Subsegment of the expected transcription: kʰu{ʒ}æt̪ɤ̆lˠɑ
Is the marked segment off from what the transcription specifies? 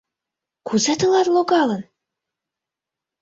yes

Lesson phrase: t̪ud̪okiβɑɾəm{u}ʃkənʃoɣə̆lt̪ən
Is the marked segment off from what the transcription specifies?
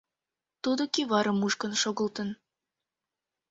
no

